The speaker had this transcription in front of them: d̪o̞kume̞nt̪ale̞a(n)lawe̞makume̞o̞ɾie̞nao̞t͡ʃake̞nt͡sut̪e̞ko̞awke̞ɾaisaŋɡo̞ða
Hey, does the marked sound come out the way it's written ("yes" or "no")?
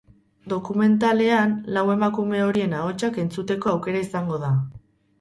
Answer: yes